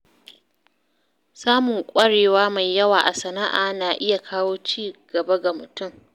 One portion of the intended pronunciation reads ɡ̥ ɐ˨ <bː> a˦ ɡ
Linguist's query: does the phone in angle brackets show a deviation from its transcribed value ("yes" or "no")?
yes